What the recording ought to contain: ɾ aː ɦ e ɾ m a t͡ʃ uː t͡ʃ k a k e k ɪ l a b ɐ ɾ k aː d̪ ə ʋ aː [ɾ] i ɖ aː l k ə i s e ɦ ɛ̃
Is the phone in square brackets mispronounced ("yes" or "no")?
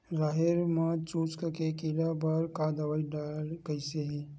yes